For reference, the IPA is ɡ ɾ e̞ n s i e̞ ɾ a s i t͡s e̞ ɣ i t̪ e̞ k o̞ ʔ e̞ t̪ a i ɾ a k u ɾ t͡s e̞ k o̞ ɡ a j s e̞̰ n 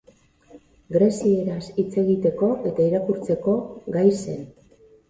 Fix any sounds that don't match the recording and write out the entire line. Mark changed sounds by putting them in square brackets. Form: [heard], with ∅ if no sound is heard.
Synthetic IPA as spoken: ɡ ɾ e̞ [∅] s i e̞ ɾ a s i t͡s e̞ ɣ i t̪ e̞ k o̞ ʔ e̞ t̪ a i ɾ a k u ɾ t͡s e̞ k o̞ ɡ a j s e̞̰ n